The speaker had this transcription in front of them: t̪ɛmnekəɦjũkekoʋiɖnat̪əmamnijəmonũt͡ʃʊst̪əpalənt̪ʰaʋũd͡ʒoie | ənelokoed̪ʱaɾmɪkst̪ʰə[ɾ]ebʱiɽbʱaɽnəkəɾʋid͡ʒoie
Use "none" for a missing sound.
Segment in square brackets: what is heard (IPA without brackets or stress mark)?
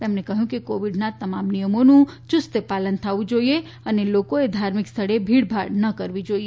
ɽ